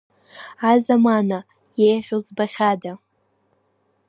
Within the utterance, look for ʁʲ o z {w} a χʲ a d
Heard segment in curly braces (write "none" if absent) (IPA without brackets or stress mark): b